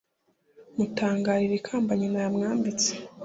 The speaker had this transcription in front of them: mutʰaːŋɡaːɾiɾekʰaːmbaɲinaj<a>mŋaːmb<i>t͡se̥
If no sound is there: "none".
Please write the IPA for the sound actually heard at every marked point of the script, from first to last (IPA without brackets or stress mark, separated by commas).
a, i